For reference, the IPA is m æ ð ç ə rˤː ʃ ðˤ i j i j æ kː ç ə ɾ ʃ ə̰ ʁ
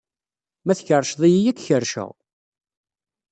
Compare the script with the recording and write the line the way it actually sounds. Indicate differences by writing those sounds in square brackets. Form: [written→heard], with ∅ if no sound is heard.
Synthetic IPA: m æ [ð→θ] ç ə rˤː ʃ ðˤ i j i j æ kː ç ə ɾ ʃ ə̰ ʁ